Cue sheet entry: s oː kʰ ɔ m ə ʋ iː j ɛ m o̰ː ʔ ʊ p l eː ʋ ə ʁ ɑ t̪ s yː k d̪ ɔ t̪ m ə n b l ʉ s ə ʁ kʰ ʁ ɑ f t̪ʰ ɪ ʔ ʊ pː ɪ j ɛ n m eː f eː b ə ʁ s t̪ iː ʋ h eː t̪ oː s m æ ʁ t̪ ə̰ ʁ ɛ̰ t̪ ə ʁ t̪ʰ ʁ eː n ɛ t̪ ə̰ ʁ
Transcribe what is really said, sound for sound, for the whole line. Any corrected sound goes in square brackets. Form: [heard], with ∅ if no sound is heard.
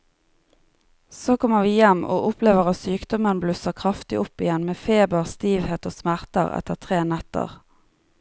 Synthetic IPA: s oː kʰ ɔ m ə ʋ iː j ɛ m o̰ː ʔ ʊ p l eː ʋ ə ʁ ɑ t̪ s yː k d̪ ɔ [∅] m ə n b l ʉ s ə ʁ kʰ ʁ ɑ f [t̪] ɪ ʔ ʊ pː ɪ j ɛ n m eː f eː b ə ʁ s t̪ iː ʋ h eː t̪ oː s m æ ʁ t̪ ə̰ ʁ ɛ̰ t̪ ə ʁ t̪ʰ ʁ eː n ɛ t̪ ə̰ ʁ